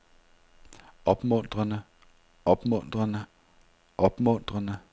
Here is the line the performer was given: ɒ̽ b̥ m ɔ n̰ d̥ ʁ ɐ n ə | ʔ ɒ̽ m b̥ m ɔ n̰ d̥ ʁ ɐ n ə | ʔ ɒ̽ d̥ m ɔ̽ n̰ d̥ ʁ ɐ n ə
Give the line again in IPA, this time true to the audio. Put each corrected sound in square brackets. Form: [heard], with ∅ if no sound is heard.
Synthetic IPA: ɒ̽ b̥ m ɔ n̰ d̥ ʁ ɐ n ə | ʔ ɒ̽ [∅] b̥ m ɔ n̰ d̥ ʁ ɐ n ə | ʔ ɒ̽ [b̥] m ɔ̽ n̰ d̥ ʁ ɐ n ə

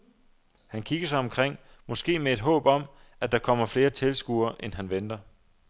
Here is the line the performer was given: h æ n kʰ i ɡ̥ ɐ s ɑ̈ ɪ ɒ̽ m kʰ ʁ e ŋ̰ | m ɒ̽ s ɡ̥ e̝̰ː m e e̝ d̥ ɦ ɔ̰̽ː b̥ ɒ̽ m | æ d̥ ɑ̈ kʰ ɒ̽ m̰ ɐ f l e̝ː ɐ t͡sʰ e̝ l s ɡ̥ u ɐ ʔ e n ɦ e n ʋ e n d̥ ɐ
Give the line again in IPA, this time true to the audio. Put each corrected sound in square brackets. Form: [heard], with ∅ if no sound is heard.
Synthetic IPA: h æ n kʰ i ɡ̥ ɐ s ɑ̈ ɪ ɒ̽ m kʰ ʁ e ŋ̰ | m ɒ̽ s ɡ̥ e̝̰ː m e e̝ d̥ ɦ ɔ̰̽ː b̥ ɒ̽ m | æ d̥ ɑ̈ kʰ ɒ̽ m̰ ɐ f l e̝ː ɐ t͡sʰ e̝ l s ɡ̥ u ɐ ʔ e n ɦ [æ] n ʋ e n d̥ ɐ

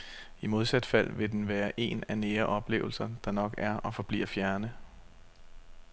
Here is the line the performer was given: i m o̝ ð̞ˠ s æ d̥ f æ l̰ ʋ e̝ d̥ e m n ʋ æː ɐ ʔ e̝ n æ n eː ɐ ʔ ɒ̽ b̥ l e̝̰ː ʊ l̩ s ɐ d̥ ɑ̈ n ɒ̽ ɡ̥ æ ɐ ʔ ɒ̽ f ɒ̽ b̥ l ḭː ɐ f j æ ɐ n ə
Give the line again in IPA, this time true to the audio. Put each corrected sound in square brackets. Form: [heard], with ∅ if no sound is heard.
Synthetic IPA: i m o̝ ð̞ˠ s æ d̥ f æ l̰ ʋ e̝ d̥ e [∅] n ʋ æː ɐ ʔ e̝ n æ n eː ɐ ʔ ɒ̽ b̥ l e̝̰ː ʊ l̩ s ɐ d̥ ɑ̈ n ɒ̽ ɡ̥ æ ɐ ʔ ɒ̽ f ɒ̽ b̥ l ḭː ɐ f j æ ɐ n ə

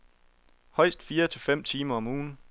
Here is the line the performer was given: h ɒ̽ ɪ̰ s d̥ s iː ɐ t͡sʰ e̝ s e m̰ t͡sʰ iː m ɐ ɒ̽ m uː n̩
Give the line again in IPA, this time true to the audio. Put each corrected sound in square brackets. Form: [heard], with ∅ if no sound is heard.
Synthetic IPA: h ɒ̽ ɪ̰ s d̥ [f] iː ɐ t͡sʰ e̝ [f] e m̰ t͡sʰ iː m ɐ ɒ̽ m uː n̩

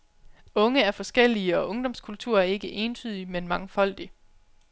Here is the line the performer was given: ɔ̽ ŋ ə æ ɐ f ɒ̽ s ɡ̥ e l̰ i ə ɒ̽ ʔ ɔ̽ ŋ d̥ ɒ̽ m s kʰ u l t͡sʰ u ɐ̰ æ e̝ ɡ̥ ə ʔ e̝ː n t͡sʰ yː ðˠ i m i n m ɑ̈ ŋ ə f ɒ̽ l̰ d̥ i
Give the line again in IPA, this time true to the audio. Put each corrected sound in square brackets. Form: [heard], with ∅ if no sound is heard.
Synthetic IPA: ɔ̽ ŋ ə æ ɐ f ɒ̽ s ɡ̥ e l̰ i ə ɒ̽ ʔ ɔ̽ ŋ d̥ ɒ̽ m s kʰ u l t͡sʰ u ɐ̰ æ e̝ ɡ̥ ə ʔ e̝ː n t͡sʰ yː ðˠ i m [e] n m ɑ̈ ŋ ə f ɒ̽ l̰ d̥ i

